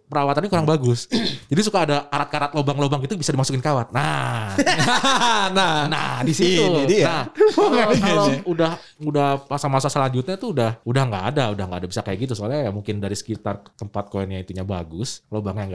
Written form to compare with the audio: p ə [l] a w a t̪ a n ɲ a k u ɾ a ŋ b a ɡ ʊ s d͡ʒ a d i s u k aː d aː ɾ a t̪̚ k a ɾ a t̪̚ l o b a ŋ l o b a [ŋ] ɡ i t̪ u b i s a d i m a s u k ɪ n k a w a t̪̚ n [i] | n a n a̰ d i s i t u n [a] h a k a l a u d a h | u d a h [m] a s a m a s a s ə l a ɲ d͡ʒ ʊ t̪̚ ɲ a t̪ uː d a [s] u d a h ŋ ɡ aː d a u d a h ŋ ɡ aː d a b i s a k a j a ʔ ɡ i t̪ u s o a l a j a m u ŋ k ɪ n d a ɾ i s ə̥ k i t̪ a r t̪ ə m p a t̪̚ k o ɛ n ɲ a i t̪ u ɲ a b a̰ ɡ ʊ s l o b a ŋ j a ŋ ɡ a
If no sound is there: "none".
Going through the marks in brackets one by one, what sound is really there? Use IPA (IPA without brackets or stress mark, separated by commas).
ɾ, ŋ, a, a, m, h